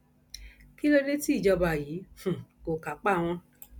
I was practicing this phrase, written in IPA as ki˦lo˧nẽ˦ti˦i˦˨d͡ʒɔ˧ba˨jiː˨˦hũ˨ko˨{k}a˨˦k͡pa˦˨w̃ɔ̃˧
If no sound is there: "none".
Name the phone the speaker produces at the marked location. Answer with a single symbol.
k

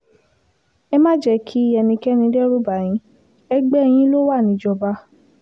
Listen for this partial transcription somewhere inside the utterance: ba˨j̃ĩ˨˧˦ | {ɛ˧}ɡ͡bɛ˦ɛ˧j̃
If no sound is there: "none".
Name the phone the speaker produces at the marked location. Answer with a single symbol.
ɛ˧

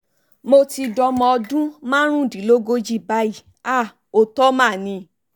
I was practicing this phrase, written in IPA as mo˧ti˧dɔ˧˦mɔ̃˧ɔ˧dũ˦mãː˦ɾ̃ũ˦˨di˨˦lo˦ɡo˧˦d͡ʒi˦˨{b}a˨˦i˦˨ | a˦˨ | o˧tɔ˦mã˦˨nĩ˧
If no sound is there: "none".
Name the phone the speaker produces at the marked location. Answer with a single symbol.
b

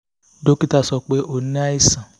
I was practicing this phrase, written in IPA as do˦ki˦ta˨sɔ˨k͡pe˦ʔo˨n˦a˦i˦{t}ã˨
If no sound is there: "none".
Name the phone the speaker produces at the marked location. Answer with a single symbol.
s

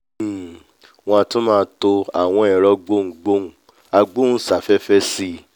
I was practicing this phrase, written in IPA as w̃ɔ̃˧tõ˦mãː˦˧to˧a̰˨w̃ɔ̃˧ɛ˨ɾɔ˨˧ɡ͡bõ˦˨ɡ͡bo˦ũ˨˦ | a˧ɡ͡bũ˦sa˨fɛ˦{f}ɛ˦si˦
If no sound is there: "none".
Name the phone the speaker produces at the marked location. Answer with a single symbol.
f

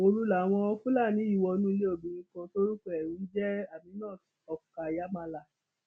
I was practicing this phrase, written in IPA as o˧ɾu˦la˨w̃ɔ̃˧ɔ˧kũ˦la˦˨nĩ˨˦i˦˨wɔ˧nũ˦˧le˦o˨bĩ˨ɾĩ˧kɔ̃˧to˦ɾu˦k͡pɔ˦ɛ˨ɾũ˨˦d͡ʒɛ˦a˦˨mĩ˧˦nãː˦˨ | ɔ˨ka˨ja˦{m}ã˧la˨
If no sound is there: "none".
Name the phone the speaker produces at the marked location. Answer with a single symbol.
m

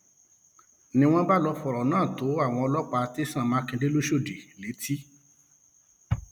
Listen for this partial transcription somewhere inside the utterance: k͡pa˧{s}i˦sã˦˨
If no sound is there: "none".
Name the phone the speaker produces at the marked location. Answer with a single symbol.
t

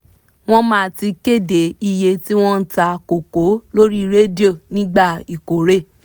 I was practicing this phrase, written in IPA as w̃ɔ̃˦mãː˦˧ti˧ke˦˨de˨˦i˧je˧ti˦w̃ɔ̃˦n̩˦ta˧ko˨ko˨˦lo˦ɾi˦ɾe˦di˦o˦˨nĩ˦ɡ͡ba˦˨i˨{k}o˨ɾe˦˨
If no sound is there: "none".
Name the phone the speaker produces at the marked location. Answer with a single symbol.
k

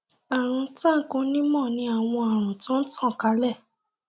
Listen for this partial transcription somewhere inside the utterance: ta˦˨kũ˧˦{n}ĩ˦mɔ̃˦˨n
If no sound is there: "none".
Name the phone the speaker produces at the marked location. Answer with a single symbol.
n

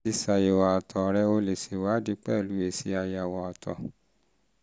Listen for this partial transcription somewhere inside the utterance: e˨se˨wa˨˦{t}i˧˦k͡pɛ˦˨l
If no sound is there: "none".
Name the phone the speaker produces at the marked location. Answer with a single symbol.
d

